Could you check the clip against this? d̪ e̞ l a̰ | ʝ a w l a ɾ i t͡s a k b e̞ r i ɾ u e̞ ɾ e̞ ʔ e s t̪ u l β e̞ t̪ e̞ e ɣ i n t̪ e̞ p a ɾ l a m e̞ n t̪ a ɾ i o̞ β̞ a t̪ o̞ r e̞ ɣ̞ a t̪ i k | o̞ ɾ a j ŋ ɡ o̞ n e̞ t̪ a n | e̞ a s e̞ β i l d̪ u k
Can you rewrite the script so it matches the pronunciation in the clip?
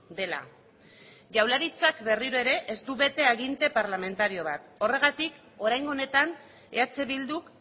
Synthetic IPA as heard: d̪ e̞ l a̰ | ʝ a w l a ɾ i t͡s a k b e̞ r i ɾ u e̞ ɾ e̞ ʔ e s t̪ u β e̞ t̪ e̞ a ɣ i n t̪ e̞ p a ɾ l a m e̞ n t̪ a ɾ i o̞ β̞ a t̪ o̞ r e̞ ɣ̞ a t̪ i k | o̞ ɾ a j ŋ ɡ o̞ n e̞ t̪ a n | e̞ a t͡s e̞ β i l d̪ u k